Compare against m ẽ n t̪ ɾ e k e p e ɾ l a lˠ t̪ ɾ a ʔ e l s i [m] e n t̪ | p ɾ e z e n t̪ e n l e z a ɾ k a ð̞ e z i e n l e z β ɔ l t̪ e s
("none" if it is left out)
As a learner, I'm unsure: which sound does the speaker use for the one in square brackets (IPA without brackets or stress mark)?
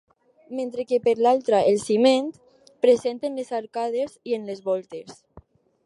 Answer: m